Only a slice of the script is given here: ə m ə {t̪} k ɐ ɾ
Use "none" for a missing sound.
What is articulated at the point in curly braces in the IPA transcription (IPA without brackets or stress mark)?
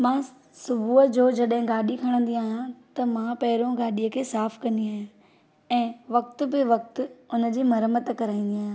t̪